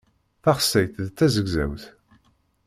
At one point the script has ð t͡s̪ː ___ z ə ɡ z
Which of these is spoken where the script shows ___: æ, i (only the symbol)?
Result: æ